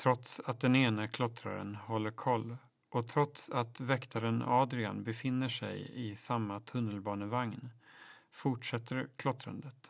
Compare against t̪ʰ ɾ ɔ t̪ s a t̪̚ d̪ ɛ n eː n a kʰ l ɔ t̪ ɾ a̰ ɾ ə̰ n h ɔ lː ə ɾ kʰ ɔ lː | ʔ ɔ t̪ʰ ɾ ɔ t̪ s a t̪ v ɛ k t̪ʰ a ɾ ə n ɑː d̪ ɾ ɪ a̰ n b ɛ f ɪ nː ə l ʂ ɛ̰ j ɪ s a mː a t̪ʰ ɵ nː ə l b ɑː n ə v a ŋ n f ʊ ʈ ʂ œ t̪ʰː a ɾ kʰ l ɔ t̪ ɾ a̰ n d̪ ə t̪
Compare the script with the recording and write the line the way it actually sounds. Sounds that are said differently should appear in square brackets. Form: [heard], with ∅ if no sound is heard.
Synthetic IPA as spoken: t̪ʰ ɾ ɔ t̪ s a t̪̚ d̪ ɛ n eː n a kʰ l ɔ t̪ ɾ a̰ ɾ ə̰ n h ɔ lː ə ɾ kʰ ɔ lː | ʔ ɔ t̪ʰ ɾ ɔ t̪ s a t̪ v ɛ k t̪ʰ a ɾ ə n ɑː d̪ ɾ ɪ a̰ n b ɛ f ɪ nː ə [∅] ʂ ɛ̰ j ɪ s a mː a t̪ʰ ɵ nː ə l b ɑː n ə v a ŋ n f ʊ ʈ ʂ [ɛ] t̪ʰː [ə] ɾ kʰ l ɔ t̪ ɾ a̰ n d̪ ə t̪